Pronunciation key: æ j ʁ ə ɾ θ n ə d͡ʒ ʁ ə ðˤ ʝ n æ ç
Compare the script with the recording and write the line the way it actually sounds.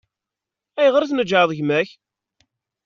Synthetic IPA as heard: æ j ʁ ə ɾ θ n ə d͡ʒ ʕ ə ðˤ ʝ m æ ç

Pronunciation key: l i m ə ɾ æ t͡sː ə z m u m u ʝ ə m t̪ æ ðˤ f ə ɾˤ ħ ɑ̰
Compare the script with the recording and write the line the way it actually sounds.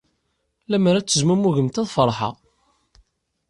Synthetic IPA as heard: l æ m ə ɾ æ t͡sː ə z m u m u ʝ ə m t̪ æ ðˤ f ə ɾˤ ħ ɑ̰

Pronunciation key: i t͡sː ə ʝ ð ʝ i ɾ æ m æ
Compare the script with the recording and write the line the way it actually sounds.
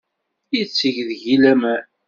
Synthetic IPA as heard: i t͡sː ə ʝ ð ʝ i l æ m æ

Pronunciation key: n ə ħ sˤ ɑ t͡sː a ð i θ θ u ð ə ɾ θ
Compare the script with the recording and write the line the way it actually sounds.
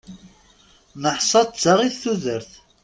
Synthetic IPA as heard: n ə ħ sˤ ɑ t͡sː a ʁ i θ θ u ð ə ɾ θ

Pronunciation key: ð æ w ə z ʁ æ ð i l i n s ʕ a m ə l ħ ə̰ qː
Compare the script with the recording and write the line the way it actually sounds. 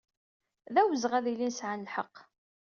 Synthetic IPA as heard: ð æ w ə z ʁ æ ð i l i n s ʕ a n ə l ħ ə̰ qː

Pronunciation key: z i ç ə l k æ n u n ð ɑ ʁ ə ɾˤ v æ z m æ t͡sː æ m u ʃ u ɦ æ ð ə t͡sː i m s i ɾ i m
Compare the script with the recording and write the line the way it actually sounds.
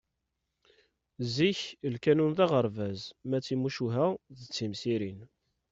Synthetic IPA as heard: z i ç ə l k æ n u n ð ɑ ʁ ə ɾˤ v æ z m æ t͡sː i m u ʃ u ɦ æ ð ə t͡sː i m s i ɾ i n

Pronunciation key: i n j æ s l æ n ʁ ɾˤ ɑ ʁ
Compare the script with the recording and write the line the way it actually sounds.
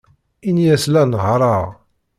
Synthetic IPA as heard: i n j æ s l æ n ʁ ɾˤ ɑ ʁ

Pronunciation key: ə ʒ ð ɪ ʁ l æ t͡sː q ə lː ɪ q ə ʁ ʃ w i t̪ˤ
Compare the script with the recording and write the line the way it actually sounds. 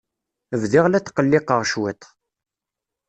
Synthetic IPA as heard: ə v ð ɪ ʁ l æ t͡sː q ə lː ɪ q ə ʁ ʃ w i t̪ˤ

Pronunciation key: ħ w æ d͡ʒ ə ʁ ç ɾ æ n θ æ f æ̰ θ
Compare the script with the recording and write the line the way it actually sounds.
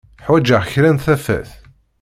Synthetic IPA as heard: ħ w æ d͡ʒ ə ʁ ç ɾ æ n θ æ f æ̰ θ

